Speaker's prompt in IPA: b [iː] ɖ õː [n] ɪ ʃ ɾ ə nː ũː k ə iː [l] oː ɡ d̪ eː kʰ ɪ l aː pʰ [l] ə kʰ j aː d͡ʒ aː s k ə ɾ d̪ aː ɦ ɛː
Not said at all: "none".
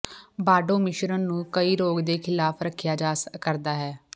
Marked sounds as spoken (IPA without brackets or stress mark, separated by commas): aː, m, ɾ, ɾ